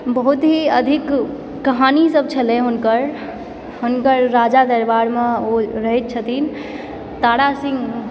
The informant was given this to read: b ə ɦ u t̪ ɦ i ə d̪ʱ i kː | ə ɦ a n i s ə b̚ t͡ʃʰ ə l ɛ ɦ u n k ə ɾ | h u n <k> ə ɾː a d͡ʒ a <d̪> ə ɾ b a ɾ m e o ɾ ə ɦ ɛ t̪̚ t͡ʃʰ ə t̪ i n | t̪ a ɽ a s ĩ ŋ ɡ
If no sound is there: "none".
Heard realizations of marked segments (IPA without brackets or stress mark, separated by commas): k, d̪